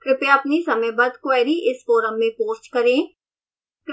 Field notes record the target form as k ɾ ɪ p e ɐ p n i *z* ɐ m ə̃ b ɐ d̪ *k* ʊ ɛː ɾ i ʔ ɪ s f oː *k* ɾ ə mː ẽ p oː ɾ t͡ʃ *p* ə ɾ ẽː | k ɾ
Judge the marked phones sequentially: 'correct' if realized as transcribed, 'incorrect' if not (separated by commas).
incorrect, correct, incorrect, incorrect